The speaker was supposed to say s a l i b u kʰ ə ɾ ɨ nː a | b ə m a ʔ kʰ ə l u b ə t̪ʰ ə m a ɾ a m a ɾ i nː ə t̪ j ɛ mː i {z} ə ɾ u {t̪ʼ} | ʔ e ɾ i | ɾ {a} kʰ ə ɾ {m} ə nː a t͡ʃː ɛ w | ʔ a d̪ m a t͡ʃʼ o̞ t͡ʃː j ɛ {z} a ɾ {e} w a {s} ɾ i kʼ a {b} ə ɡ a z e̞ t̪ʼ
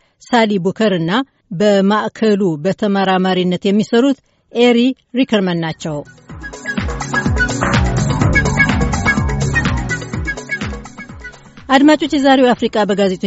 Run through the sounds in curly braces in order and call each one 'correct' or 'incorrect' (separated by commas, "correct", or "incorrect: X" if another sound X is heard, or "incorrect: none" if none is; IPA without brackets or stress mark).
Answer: incorrect: s, incorrect: t̪, incorrect: i, correct, correct, correct, incorrect: f, correct